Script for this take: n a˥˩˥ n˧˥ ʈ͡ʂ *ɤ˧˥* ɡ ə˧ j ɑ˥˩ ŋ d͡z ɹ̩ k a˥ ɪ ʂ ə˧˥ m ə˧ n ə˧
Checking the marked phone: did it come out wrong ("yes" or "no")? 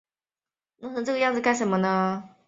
yes